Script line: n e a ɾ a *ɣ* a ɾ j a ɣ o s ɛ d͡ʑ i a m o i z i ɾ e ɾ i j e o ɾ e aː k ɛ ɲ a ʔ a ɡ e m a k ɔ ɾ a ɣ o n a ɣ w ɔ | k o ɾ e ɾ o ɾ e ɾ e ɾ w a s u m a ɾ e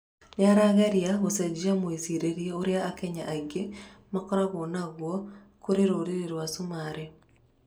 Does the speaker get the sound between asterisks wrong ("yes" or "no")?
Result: no